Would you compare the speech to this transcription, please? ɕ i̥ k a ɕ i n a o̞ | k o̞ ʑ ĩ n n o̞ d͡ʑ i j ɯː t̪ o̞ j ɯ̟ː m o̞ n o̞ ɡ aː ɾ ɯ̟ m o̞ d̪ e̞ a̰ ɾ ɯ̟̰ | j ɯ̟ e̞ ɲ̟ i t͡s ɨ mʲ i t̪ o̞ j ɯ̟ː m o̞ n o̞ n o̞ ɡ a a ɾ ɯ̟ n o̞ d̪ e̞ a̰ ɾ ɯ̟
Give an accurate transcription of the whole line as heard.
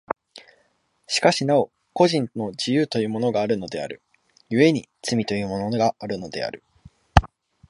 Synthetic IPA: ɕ i̥ k a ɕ i n a o̞ | k o̞ ʑ ĩ n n o̞ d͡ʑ i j ɯː t̪ o̞ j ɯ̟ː m o̞ n o̞ ɡ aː ɾ ɯ̟ n o̞ d̪ e̞ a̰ ɾ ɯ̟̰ | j ɯ̟ e̞ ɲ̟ i t͡s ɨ mʲ i t̪ o̞ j ɯ̟ː m o̞ n o̞ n o̞ ɡ a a ɾ ɯ̟ n o̞ d̪ e̞ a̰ ɾ ɯ̟